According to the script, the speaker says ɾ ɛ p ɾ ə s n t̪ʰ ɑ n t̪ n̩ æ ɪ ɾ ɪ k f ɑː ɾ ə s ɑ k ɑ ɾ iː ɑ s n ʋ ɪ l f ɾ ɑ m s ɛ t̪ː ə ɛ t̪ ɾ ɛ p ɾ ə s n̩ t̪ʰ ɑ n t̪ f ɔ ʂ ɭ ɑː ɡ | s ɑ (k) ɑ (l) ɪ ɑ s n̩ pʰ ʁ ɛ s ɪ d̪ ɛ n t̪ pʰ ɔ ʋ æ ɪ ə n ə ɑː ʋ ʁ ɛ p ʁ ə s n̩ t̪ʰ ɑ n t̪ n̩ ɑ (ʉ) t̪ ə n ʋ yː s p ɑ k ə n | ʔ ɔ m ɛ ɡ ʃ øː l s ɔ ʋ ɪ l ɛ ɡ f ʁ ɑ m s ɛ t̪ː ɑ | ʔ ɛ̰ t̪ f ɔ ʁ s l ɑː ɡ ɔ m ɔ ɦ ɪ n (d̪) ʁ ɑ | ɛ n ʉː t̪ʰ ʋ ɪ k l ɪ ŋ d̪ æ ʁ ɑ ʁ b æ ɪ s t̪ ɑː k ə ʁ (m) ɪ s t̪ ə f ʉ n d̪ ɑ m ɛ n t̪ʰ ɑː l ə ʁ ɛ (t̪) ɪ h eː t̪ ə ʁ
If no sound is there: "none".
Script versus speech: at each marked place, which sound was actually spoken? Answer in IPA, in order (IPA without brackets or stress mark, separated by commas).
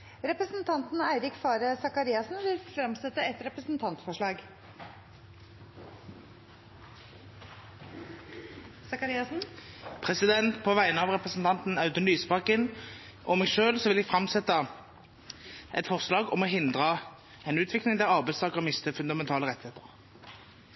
k, ɾ, ʉ, d̪, m, t̪